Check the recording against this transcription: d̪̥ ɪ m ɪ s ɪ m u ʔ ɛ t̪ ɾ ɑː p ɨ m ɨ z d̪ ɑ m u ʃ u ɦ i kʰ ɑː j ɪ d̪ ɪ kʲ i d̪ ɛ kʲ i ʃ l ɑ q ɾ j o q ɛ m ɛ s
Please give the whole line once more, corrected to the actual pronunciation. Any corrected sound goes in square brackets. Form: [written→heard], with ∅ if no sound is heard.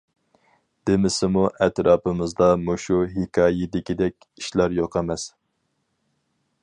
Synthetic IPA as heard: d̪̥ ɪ m ɪ s ɪ m u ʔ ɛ t̪ ɾ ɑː p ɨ m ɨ z d̪ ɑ m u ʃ u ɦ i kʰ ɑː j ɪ d̪ ɪ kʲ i d̪ ɛ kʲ i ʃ l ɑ [q→∅] ɾ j o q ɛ m ɛ s